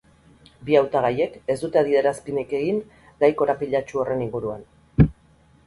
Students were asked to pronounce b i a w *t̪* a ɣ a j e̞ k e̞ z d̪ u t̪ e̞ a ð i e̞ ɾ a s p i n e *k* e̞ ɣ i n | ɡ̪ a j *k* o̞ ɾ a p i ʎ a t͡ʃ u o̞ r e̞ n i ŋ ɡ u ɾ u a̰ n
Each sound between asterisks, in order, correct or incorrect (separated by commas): correct, correct, correct